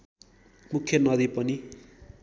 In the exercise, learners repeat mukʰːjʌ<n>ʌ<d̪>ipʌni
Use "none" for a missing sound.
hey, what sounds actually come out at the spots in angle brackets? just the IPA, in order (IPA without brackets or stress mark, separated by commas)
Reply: n, d̪